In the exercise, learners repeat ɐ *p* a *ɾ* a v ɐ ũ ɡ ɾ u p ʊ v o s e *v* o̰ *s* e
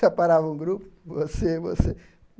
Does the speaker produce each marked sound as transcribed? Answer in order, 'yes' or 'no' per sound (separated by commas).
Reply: yes, yes, yes, yes